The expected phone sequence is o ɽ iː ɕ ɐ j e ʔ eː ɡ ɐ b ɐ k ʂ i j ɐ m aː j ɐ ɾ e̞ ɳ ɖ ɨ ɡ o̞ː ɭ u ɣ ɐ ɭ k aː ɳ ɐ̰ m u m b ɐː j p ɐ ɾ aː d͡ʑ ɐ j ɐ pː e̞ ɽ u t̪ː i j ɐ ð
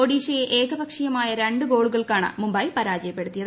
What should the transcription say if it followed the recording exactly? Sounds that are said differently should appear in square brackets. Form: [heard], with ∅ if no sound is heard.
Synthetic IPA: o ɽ iː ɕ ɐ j e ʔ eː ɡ ɐ b ɐ k ʂ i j ɐ m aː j ɐ ɾ e̞ ɳ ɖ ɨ ɡ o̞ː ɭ u ɣ ɐ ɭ k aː ɳ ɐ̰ m u m b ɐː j p ɐ ɾ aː d͡ʑ ɐ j ɐ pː e̞ ɽ u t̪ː i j ɐ ð